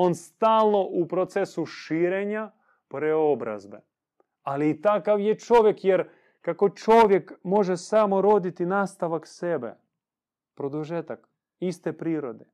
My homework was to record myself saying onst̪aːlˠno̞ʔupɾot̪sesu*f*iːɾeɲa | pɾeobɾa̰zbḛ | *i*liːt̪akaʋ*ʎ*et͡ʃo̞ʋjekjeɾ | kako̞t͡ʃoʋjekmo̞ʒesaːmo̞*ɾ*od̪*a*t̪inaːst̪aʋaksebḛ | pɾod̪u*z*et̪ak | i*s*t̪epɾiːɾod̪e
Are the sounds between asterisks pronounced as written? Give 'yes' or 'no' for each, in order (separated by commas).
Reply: no, no, no, yes, no, no, yes